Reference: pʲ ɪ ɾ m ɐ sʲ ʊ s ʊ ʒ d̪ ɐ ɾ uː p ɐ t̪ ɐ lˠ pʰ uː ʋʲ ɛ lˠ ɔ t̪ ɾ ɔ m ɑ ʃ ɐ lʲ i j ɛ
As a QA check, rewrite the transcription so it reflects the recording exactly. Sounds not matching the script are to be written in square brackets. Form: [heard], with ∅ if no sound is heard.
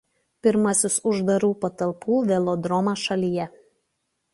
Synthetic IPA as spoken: pʲ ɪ ɾ m ɐ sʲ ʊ s ʊ ʒ d̪ ɐ ɾ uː p ɐ t̪ ɐ lˠ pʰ uː ʋʲ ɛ lˠ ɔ [d̪] ɾ ɔ m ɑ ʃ ɐ lʲ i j ɛ